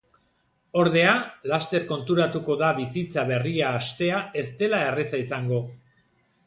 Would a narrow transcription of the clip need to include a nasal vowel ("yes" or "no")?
no